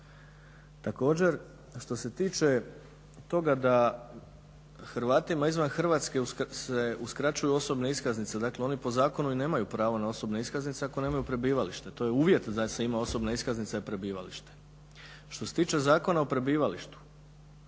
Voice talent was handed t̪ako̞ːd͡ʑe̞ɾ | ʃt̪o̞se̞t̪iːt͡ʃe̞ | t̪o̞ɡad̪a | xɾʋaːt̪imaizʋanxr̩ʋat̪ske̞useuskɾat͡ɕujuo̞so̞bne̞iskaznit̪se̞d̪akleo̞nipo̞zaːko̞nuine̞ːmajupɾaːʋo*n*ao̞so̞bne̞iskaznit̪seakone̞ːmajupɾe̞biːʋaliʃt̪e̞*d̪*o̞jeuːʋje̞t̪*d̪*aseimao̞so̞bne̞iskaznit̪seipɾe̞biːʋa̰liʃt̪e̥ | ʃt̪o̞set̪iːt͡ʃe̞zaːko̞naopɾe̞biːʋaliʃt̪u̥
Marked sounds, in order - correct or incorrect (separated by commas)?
correct, incorrect, correct